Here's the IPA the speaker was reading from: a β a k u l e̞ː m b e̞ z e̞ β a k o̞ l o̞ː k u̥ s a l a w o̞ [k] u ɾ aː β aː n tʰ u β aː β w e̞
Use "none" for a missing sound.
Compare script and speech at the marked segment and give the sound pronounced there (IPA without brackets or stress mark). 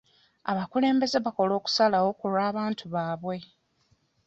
k